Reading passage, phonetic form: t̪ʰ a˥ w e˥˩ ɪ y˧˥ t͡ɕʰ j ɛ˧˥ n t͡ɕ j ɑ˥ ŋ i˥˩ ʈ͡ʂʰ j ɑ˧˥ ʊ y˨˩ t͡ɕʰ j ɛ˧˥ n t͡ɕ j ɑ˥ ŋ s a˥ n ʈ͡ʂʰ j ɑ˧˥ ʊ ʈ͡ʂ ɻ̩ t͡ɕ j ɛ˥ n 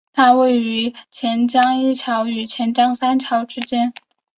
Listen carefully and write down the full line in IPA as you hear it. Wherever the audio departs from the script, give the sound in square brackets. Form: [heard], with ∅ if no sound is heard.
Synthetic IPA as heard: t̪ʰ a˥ w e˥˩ ɪ y˧˥ t͡ɕʰ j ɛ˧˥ n t͡ɕ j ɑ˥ ŋ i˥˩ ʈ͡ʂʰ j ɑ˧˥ ʊ y˨˩ t͡ɕʰ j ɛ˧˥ n t͡ɕ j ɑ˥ ŋ s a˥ n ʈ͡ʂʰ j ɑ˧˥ ʊ ʈ͡ʂ ɻ̩ t͡ɕ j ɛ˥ n